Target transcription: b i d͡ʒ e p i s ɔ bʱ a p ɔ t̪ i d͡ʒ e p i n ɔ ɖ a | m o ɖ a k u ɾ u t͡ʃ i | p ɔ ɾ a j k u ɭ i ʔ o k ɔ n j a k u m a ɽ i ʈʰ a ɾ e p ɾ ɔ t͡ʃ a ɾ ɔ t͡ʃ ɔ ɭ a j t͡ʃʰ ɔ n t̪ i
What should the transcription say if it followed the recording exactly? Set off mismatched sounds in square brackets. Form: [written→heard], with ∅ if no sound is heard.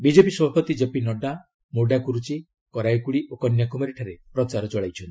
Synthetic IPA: b i d͡ʒ e p i s ɔ bʱ a p ɔ t̪ i d͡ʒ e p i n ɔ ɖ a | m o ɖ a k u ɾ u t͡ʃ i | [p→k] ɔ ɾ a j k u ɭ i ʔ o k ɔ n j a k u m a [ɽ→ɾ] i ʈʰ a ɾ e p ɾ ɔ t͡ʃ a ɾ ɔ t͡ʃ ɔ ɭ a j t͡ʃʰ ɔ n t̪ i